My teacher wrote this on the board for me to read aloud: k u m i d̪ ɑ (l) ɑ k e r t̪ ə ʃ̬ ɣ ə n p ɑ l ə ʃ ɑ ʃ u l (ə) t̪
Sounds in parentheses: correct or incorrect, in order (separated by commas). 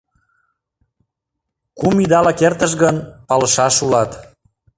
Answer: correct, incorrect